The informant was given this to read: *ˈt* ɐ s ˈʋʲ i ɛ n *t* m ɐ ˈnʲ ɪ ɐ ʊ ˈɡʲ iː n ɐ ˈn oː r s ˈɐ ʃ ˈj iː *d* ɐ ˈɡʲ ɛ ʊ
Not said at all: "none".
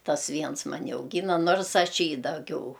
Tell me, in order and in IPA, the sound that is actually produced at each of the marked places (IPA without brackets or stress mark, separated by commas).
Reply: t, s, d